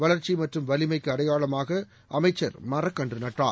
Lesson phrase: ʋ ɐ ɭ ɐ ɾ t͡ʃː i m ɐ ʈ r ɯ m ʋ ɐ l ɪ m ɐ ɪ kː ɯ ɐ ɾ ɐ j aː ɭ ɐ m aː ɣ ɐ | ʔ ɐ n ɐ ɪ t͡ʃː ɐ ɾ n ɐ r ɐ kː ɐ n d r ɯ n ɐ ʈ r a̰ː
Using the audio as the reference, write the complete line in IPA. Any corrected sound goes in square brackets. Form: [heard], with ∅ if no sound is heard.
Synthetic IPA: ʋ ɐ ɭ ɐ ɾ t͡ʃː i m ɐ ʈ r ɯ m ʋ ɐ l ɪ m ɐ ɪ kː ɯ ɐ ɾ ɐ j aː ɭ ɐ m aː ɣ ɐ | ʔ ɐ [m] ɐ ɪ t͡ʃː ɐ ɾ [m] ɐ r ɐ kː ɐ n d r ɯ n ɐ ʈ r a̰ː

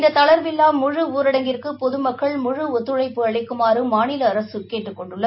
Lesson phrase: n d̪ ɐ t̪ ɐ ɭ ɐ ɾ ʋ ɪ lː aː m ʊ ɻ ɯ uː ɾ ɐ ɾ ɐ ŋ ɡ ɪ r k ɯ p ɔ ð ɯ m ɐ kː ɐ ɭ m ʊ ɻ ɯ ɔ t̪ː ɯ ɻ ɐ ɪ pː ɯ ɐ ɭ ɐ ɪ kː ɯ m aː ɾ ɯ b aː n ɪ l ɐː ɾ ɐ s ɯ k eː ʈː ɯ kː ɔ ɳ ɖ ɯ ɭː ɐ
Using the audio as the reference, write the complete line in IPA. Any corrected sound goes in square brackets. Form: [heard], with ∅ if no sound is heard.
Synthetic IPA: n d̪ ɐ t̪ ɐ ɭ ɐ ɾ ʋ ɪ lː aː m ʊ ɻ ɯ uː ɾ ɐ [ɽ] ɐ ŋ ɡ ɪ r k ɯ p ɔ ð ɯ m ɐ kː ɐ ɭ m ʊ ɻ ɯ ɔ t̪ː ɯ ɻ ɐ ɪ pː ɯ ɐ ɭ ɐ ɪ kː ɯ m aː ɾ ɯ [m] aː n ɪ l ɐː ɾ ɐ s ɯ k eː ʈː ɯ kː ɔ ɳ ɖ ɯ ɭː ɐ

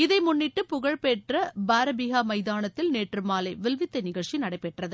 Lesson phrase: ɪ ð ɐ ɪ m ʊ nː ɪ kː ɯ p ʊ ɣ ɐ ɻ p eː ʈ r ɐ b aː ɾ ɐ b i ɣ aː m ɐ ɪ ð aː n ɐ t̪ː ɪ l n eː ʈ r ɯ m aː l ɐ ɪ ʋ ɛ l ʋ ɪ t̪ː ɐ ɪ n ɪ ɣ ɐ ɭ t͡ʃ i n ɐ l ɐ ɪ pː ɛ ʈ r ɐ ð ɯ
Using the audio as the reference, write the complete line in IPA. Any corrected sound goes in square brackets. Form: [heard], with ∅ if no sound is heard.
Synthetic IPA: ɪ ð ɐ ɪ m ʊ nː ɪ [ʈː] ɯ p ʊ ɣ ɐ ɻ p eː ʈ r ɐ b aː ɾ ɐ b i ɣ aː m ɐ ɪ ð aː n ɐ t̪ː ɪ l n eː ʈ r ɯ m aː l ɐ ɪ ʋ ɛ l ʋ ɪ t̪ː ɐ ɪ n ɪ ɣ ɐ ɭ t͡ʃ i n ɐ [ɽ] ɐ ɪ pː ɛ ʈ r ɐ ð ɯ

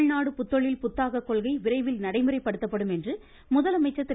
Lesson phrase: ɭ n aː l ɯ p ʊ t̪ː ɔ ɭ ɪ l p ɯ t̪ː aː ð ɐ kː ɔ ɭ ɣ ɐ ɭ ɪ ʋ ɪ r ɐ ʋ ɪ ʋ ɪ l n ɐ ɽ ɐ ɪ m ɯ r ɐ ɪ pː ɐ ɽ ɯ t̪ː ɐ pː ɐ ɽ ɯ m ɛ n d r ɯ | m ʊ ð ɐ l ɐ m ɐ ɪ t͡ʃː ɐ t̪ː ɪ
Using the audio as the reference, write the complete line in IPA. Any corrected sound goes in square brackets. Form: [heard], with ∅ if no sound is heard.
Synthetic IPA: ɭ n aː [ɽ] ɯ p ʊ t̪ː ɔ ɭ ɪ l p [ʊ] t̪ː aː [ɣ] ɐ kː ɔ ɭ ɣ ɐ [∅] ɪ ʋ ɪ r ɐ [∅] ɪ ʋ ɪ l n ɐ ɽ ɐ ɪ m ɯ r ɐ ɪ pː ɐ ɽ ɯ t̪ː ɐ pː ɐ ɽ ɯ m ɛ n d r ɯ | m ʊ ð ɐ l ɐ m ɐ ɪ t͡ʃː ɐ t̪ː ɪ

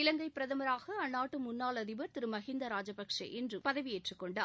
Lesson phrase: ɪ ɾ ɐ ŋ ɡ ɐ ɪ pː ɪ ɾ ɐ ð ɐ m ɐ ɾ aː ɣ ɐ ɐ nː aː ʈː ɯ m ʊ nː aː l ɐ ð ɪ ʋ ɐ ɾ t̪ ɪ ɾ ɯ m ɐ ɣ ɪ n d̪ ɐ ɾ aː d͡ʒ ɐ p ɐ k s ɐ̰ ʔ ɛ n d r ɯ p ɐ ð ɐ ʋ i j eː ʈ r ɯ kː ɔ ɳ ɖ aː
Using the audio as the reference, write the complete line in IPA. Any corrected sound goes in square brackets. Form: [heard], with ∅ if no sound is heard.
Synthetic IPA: ɪ [l] ɐ ŋ ɡ ɐ ɪ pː ɪ ɾ ɐ ð ɐ m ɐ ɾ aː ɣ ɐ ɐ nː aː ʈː ɯ m ʊ nː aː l ɐ ð ɪ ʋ ɐ ɾ t̪ ɪ ɾ ɯ m ɐ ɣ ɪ n d̪ ɐ ɾ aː d͡ʒ ɐ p ɐ k [ʂ] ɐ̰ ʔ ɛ n d r ɯ p ɐ ð ɐ ʋ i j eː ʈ r ɯ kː ɔ ɳ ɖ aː

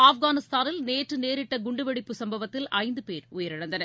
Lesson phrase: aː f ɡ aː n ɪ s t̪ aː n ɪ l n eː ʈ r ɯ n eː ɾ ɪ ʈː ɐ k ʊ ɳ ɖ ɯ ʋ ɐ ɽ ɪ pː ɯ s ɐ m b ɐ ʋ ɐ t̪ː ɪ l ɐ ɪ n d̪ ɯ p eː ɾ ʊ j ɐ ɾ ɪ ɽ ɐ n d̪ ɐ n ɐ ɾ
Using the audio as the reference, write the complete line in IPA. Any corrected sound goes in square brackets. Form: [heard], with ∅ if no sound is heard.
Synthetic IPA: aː f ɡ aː n ɪ s t̪ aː n ɪ l n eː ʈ r ɯ n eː ɾ ɪ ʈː ɐ [ɡ] ʊ ɳ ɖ ɯ ʋ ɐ ɽ ɪ pː ɯ s ɐ m b ɐ ʋ ɐ t̪ː ɪ l ɐ ɪ n d̪ ɯ p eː ɾ ʊ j ɐ ɾ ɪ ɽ ɐ n d̪ ɐ n ɐ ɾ

